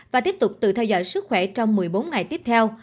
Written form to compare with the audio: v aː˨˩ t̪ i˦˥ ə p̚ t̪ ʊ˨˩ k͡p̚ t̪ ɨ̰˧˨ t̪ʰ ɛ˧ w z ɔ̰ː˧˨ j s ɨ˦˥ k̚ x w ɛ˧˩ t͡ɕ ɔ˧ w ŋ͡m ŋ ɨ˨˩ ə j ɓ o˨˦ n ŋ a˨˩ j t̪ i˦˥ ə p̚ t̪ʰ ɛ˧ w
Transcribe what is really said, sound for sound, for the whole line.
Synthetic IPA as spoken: v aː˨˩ t̪ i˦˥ ə p̚ t̪ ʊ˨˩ k͡p̚ t̪ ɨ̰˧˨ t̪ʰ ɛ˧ w z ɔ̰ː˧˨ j s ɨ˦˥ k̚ x w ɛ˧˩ t͡ɕ ɔ˧ w ŋ͡m m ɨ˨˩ ə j ɓ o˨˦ n ŋ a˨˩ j t̪ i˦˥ ə p̚ t̪ʰ ɛ˧ w